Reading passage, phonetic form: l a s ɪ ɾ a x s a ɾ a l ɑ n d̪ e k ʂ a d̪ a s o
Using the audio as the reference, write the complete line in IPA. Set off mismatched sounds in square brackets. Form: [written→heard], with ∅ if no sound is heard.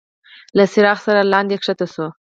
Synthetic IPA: l a s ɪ ɾ [a→ɑ] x s a ɾ a l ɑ n d̪ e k ʂ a [d̪→t̪] a s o